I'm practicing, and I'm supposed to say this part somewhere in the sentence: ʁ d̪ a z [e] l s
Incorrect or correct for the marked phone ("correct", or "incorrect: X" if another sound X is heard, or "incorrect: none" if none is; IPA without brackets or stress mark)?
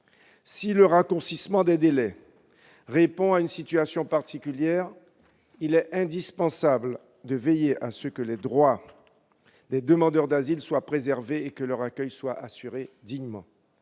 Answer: incorrect: i